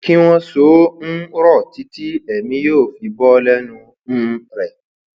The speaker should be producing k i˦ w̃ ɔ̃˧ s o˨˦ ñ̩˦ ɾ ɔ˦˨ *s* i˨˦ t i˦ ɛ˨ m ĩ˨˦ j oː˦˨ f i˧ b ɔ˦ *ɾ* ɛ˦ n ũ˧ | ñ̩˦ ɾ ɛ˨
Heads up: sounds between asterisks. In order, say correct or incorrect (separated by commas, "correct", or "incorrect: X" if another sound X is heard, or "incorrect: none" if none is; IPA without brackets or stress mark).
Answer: incorrect: t, incorrect: l